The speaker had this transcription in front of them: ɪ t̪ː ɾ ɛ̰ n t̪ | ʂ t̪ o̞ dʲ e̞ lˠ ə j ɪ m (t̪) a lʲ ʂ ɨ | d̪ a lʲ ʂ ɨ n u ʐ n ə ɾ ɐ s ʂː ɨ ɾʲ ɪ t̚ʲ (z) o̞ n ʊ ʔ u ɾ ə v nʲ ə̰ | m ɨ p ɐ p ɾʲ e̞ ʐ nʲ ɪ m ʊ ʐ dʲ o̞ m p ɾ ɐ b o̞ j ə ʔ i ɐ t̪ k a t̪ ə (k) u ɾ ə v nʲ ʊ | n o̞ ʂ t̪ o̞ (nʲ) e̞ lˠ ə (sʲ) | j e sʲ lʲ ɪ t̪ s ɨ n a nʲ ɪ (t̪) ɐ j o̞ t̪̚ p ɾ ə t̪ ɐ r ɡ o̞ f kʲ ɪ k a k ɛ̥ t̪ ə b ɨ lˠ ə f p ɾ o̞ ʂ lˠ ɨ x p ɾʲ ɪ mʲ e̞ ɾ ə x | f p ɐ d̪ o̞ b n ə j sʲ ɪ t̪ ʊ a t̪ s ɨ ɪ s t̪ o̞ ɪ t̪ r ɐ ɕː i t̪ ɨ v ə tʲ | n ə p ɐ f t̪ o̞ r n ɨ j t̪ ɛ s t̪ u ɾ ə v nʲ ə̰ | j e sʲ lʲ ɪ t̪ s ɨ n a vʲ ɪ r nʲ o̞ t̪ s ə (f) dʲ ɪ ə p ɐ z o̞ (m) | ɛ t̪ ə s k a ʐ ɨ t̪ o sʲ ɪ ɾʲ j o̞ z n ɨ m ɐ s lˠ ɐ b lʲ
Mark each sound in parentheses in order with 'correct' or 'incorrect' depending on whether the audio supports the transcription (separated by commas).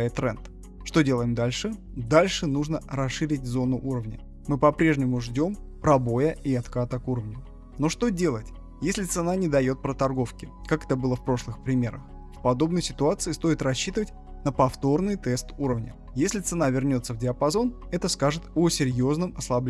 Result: incorrect, correct, correct, incorrect, incorrect, incorrect, incorrect, incorrect